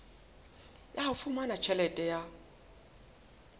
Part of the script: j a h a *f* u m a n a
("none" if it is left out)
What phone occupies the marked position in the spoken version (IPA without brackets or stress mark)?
f